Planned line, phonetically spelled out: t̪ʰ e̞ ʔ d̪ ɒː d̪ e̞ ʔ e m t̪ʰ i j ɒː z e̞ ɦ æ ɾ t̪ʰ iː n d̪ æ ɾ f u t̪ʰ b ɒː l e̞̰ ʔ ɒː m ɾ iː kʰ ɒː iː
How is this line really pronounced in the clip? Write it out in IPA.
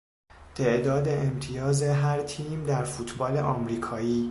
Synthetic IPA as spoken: t̪ʰ e̞ ʔ d̪ ɒː d̪ e̞ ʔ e m t̪ʰ i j ɒː z e̞ ɦ æ ɾ t̪ʰ iː m d̪ æ ɾ f u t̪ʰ b ɒː l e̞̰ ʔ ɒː m ɾ iː kʰ ɒː iː

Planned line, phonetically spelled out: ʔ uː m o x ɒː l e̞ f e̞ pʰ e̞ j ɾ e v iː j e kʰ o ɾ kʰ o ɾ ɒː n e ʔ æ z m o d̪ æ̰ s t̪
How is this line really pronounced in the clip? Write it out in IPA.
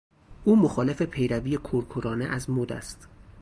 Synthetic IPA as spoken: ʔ uː m o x ɒː l e̞ f e̞ pʰ e̞ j ɾ æ v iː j e kʰ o ɾ kʰ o ɾ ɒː n e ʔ æ z m o d̪ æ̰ s t̪

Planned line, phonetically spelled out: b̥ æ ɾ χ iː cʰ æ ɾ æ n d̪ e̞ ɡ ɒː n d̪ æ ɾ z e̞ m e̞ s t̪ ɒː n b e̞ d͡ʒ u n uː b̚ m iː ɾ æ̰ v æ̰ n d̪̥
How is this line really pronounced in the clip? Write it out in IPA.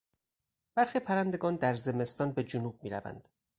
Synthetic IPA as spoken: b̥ æ ɾ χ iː pʰ æ ɾ æ n d̪ e̞ ɡ ɒː n d̪ æ ɾ z e̞ m e̞ s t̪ ɒː n b e̞ d͡ʒ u n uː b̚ m iː ɾ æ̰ v æ̰ n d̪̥

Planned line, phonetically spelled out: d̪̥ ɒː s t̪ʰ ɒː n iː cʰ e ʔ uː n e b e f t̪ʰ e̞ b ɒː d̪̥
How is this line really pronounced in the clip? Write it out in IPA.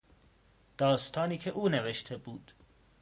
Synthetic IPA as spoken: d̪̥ ɒː s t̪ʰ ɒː n iː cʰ e ʔ uː n e v e ʃ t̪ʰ e̞ b uː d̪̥

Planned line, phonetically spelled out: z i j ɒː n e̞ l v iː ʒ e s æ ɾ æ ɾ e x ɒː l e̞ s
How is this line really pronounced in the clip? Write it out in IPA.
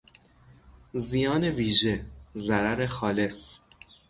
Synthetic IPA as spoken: z i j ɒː n e̞ v iː ʒ e z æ ɾ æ ɾ e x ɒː l e̞ s

